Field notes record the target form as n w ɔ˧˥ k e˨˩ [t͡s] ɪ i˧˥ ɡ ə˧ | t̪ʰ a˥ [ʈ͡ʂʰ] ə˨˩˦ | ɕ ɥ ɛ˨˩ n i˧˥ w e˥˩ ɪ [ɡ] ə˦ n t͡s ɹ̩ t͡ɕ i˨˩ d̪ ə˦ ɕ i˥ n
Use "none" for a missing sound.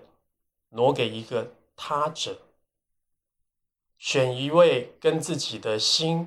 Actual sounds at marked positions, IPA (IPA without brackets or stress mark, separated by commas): none, ʈ͡ʂ, k